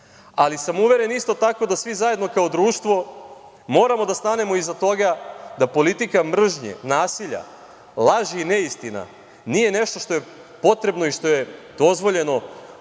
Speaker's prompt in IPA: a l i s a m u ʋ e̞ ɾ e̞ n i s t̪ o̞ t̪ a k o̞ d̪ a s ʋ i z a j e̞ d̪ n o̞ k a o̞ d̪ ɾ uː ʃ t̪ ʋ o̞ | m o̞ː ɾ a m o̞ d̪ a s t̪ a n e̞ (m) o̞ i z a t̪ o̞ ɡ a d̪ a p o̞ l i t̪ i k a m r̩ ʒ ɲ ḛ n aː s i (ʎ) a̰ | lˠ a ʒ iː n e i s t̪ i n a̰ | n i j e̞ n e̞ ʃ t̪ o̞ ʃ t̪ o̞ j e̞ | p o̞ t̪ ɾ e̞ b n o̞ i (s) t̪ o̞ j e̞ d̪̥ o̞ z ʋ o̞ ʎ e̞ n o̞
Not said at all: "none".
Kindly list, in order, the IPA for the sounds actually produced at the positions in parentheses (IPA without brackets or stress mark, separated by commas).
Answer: m, ʎ, ʃ